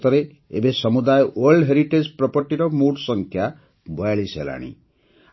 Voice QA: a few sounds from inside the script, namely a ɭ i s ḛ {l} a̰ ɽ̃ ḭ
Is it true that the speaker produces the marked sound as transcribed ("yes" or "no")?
yes